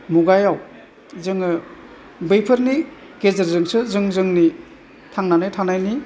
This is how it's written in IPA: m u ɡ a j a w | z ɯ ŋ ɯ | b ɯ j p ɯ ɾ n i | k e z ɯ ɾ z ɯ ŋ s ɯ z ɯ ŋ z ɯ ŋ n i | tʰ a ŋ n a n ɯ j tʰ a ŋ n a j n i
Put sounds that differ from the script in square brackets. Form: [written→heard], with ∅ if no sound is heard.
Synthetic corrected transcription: m u ɡ a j a w | z ɯ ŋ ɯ | b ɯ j [p→pʰ] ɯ ɾ n i | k e z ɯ ɾ z ɯ ŋ s ɯ z ɯ ŋ z ɯ ŋ n i | tʰ a ŋ n a n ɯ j tʰ a ŋ n a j n i